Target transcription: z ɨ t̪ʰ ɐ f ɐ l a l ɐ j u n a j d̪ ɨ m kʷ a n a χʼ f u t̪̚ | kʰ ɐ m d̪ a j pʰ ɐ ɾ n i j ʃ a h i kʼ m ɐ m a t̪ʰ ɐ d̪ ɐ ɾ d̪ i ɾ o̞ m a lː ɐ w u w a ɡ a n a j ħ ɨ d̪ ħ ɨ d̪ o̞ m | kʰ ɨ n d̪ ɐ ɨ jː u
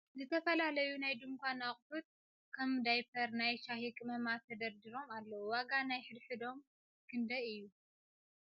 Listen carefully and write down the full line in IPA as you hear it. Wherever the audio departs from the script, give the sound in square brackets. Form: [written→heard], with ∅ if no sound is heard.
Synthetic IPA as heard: z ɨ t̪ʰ ɐ f ɐ l a l ɐ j u n a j d̪ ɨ m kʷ a n a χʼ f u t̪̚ | kʰ ɐ m d̪ a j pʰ ɐ ɾ n [i→a] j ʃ a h i kʼ m ɐ m a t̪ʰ ɐ d̪ ɐ ɾ d̪ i ɾ o̞ m a lː ɐ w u w a ɡ a n a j ħ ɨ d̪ ħ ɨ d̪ o̞ m | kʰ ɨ n d̪ ɐ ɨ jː u

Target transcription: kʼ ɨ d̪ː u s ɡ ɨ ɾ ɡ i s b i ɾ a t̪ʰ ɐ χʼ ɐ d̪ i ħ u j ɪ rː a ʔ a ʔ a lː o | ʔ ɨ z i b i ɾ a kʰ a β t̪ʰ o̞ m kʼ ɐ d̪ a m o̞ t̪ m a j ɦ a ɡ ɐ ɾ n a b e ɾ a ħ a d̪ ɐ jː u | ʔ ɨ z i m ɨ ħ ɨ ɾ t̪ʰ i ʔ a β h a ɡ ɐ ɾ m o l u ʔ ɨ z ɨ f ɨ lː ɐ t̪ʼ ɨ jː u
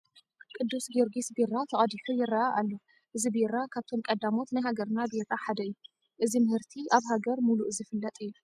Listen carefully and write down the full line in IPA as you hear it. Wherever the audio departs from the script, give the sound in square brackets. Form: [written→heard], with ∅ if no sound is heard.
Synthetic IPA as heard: kʼ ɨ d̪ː u s ɡ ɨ ɾ ɡ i s b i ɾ a t̪ʰ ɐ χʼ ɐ d̪ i ħ u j ɪ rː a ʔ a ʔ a lː o | ʔ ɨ z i b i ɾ a kʰ a β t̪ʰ o̞ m kʼ ɐ d̪ a m o̞ t̪ [m→n] a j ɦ a ɡ ɐ ɾ n a b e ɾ a ħ a d̪ ɐ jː u | ʔ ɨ z i m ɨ [ħ→h] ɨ ɾ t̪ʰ i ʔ a β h a ɡ ɐ ɾ m [o→u] l u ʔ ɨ z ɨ f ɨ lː ɐ t̪ʼ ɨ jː u

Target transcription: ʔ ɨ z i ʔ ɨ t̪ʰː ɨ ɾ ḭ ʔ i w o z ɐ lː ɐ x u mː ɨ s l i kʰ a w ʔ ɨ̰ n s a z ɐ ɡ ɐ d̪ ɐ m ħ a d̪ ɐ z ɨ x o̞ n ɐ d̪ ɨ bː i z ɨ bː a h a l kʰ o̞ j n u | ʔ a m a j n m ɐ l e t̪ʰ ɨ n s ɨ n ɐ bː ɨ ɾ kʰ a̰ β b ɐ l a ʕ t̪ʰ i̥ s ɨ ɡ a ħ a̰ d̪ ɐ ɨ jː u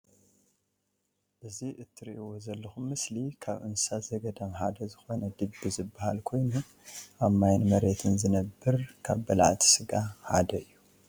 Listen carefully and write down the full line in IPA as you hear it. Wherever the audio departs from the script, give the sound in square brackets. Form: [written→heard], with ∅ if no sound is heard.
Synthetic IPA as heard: ʔ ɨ z i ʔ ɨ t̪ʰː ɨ ɾ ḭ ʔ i w o z ɐ lː ɐ x u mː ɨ s l i kʰ a [w→β] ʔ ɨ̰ n s a z ɐ ɡ ɐ d̪ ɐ m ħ a d̪ ɐ z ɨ x o̞ n ɐ d̪ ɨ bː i z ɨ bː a h a l kʰ o̞ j n u | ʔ a m a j n m ɐ [l→ɾ] e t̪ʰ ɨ n [s→z] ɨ n ɐ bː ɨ ɾ kʰ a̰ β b ɐ l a ʕ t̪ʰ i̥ s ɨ ɡ a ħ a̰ d̪ ɐ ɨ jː u

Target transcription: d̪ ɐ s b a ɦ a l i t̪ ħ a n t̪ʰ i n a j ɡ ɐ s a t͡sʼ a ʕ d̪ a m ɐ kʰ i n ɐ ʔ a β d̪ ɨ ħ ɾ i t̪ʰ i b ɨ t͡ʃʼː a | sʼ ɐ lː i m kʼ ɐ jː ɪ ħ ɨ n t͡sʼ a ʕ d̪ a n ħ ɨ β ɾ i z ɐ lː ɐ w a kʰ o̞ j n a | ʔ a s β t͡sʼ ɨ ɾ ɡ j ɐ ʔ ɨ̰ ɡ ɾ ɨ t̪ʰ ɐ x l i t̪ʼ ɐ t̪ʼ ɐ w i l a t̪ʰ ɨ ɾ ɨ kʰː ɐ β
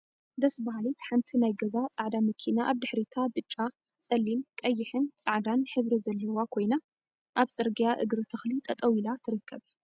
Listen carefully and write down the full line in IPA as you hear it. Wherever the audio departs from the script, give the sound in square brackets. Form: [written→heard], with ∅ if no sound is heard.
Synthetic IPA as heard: d̪ ɐ s b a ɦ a l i t̪ ħ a n t̪ʰ i n a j ɡ ɐ [s→z] a t͡sʼ a ʕ d̪ a m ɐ kʰ i n [ɐ→a] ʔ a β d̪ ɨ ħ ɾ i t̪ʰ [i→a] b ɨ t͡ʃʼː a | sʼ ɐ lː i m kʼ ɐ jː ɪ ħ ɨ n t͡sʼ a ʕ d̪ a n ħ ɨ β ɾ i z ɐ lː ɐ w a kʰ o̞ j n a | ʔ a [s→∅] β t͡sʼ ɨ ɾ ɡ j [ɐ→a] ʔ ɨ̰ ɡ ɾ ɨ t̪ʰ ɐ x l i t̪ʼ ɐ t̪ʼ ɐ w i l a t̪ʰ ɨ ɾ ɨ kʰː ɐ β

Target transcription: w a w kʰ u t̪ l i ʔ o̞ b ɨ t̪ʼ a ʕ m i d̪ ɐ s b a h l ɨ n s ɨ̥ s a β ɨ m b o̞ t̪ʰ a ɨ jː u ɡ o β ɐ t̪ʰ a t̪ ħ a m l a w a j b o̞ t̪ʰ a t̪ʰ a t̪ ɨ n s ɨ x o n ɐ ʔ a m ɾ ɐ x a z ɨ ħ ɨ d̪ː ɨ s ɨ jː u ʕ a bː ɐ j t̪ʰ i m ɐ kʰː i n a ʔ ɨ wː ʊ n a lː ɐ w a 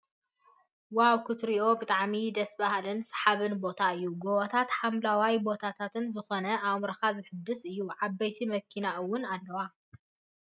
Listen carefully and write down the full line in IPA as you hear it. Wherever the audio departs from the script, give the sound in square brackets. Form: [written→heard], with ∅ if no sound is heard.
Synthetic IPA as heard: w a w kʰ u t̪ [l→ɾ] i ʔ o̞ b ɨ t̪ʼ a ʕ m i d̪ ɐ s b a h l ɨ n s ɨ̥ [s→ħ] a β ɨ [m→n] b o̞ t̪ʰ a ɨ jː u ɡ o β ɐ t̪ʰ a t̪ ħ a m l a w a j b o̞ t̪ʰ a t̪ʰ a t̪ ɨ n [s→z] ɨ x o n ɐ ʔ a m ɾ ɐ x a z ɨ ħ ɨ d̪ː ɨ s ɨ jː u ʕ a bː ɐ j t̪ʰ i m ɐ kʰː i n a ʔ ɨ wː ʊ n a lː ɐ w a

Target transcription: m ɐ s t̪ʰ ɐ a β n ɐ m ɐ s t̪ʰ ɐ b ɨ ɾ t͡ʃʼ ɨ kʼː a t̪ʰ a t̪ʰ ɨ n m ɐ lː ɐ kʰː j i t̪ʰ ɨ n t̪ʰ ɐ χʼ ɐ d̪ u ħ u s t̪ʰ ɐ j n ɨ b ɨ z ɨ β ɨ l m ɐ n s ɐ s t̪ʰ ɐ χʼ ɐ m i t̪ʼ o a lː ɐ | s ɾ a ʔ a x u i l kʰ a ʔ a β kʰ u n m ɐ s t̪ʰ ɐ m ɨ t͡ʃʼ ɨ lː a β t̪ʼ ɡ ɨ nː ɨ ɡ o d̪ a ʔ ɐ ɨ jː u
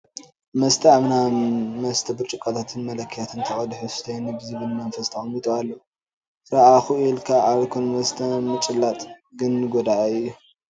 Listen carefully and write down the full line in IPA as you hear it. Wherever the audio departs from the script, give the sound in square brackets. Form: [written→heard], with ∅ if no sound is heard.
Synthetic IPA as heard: m ɐ s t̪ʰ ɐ a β n [ɐ→a] m ɐ s t̪ʰ ɐ b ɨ ɾ t͡ʃʼ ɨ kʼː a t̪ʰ a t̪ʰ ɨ n m ɐ [lː→l] ɐ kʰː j [i→a] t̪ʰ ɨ n t̪ʰ ɐ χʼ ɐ d̪ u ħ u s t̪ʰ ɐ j n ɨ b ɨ z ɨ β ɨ l m ɐ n [s→f] ɐ s t̪ʰ ɐ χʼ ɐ m i t̪ʼ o a lː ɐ | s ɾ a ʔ a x u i l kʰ a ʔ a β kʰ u n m ɐ s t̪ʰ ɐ m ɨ t͡ʃʼ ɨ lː a [β→∅] t̪ʼ ɡ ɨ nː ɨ ɡ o d̪ a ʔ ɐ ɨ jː u

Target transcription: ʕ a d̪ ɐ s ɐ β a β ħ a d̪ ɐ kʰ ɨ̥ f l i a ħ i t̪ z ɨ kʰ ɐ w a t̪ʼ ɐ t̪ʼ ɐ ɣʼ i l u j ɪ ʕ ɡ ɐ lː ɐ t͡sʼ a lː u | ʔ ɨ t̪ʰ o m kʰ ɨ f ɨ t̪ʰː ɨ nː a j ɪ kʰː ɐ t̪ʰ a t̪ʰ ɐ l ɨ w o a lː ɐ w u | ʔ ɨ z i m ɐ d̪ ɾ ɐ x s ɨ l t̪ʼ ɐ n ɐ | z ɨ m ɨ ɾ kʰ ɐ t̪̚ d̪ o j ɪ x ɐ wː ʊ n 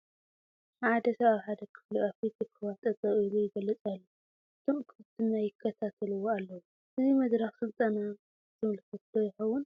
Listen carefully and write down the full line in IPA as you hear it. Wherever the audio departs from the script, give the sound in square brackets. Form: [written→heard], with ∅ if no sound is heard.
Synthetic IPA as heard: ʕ a d̪ ɐ s ɐ β a β ħ a d̪ ɐ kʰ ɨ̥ f l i a [ħ→f] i t̪ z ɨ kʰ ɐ w a t̪ʼ ɐ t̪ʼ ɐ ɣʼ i l u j ɪ [ʕ→∅] ɡ ɐ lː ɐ t͡sʼ a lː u | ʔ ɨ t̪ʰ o m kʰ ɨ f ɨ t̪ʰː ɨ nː a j ɪ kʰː ɐ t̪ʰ a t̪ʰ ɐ l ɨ w o a lː ɐ w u | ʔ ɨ z i m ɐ d̪ ɾ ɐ x s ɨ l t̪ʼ ɐ n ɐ | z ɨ m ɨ [ɾ→l] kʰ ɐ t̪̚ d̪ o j ɪ x ɐ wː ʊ n

